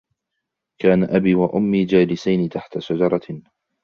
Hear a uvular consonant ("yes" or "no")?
no